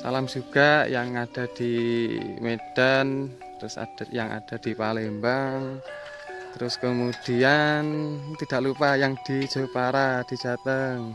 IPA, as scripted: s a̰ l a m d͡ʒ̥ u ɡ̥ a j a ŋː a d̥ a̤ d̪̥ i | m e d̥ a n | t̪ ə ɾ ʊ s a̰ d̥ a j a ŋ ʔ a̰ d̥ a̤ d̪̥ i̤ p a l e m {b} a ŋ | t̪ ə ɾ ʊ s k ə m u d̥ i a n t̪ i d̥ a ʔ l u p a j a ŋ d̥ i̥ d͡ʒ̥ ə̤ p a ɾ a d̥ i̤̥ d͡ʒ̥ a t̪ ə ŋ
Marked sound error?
no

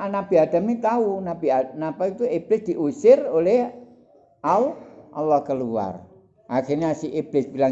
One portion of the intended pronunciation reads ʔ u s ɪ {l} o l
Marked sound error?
yes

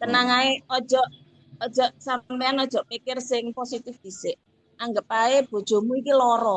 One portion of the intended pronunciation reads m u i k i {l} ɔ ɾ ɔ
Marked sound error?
no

